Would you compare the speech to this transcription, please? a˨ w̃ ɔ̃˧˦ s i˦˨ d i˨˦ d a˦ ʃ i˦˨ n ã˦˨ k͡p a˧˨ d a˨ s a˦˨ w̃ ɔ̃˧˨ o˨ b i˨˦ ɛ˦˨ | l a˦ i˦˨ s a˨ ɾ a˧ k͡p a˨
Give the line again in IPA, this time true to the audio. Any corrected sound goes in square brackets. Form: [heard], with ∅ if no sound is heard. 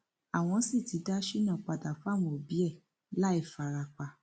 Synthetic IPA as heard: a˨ w̃ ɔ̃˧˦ s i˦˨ [t] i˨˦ d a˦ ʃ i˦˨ n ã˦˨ k͡p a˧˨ d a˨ [f] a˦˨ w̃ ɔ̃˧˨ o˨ b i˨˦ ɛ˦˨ | l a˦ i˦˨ [f] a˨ ɾ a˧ k͡p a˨